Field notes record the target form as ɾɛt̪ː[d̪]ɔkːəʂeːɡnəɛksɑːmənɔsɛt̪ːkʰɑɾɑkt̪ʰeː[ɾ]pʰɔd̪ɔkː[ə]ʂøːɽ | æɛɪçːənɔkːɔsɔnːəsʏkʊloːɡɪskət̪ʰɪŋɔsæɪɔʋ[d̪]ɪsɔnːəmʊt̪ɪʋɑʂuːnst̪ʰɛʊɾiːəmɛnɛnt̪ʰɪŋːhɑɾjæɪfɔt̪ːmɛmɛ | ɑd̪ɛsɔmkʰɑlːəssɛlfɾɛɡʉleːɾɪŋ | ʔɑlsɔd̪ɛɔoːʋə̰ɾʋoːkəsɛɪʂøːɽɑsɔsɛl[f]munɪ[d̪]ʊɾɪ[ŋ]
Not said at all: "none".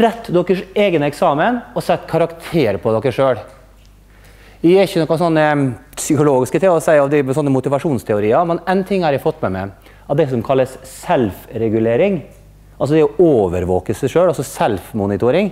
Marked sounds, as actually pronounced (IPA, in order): d̪, ɾ, ə, d̪, f, t̪, ŋ

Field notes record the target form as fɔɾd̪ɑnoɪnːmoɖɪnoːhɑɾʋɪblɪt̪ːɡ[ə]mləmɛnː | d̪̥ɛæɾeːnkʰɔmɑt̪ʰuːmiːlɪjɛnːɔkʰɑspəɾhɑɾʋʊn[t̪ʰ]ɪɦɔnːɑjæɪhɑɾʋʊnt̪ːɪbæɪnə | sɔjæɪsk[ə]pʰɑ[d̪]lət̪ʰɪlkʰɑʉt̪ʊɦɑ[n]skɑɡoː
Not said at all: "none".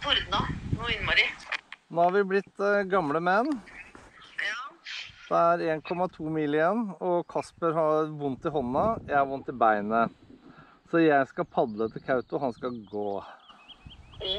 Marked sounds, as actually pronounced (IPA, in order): ɑ, t̪, ɑ, d̪, n

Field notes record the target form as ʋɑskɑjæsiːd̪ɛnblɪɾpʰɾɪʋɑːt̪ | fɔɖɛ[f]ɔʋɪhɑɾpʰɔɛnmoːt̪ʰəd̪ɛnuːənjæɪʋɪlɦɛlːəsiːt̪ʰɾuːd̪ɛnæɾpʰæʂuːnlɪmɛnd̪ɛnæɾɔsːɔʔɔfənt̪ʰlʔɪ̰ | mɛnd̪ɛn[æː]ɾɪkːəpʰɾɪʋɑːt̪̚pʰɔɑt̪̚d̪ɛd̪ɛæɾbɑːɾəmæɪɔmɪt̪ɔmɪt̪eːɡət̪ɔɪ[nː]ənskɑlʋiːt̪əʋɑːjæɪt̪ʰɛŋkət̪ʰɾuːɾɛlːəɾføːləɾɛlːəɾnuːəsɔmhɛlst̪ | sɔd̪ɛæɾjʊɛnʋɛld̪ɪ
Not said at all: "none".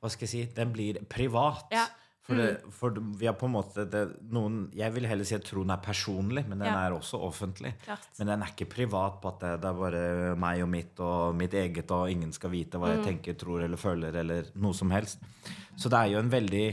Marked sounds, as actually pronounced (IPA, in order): f, æ, ŋː

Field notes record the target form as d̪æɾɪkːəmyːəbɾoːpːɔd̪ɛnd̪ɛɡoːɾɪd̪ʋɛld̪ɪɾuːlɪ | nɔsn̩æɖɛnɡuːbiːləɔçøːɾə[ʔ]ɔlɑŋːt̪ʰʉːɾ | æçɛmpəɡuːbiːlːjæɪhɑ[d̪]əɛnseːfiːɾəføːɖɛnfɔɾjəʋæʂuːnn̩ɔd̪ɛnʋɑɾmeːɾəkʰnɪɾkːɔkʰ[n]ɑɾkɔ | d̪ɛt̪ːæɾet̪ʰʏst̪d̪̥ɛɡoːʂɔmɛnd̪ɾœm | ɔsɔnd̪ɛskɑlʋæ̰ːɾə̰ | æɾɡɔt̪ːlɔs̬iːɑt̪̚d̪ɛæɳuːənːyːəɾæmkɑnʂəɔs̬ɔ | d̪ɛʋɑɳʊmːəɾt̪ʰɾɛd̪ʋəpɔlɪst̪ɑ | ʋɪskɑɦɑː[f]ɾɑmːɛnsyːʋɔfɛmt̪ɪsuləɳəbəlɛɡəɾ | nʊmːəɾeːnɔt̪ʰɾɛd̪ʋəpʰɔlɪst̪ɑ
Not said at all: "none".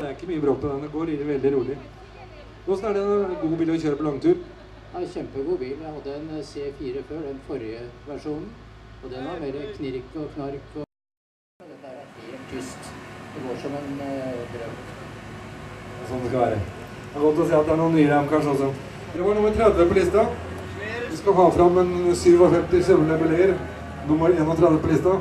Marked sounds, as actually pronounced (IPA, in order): p, d̪ː, n, f

